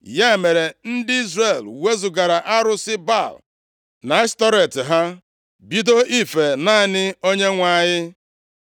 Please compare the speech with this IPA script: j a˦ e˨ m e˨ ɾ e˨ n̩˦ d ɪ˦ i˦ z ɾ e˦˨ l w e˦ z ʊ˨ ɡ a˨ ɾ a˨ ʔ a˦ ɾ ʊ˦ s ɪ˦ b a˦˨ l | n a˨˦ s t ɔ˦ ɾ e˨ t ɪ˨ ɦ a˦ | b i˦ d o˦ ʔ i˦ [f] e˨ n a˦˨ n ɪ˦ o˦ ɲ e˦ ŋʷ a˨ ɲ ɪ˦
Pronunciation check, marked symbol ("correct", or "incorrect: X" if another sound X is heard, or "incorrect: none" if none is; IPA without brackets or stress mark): correct